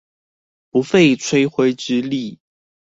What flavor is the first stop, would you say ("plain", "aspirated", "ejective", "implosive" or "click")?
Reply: plain